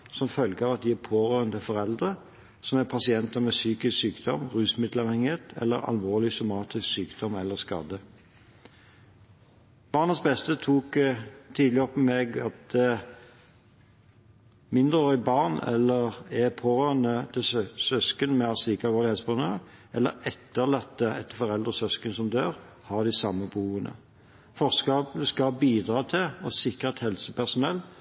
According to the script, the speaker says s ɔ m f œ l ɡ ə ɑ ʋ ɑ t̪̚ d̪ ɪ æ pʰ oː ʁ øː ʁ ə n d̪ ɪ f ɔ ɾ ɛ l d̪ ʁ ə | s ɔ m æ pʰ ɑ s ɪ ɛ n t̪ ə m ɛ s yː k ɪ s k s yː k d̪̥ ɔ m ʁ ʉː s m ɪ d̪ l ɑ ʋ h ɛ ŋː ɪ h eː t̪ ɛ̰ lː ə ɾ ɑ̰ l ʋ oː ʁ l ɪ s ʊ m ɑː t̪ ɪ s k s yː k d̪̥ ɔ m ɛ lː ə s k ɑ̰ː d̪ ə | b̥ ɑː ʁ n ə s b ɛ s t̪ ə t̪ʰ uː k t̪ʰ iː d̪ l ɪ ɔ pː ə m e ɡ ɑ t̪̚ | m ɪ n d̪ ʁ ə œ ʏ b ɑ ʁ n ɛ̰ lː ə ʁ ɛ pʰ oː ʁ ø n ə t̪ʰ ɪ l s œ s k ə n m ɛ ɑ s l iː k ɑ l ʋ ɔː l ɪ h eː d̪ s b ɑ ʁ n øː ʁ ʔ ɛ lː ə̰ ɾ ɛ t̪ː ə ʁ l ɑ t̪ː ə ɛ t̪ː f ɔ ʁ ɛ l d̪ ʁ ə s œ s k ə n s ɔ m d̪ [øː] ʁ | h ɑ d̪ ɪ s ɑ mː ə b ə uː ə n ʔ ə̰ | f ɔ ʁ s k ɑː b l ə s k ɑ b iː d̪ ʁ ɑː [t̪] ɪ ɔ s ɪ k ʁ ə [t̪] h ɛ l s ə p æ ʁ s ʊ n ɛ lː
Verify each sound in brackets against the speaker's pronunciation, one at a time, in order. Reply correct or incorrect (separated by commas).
correct, incorrect, correct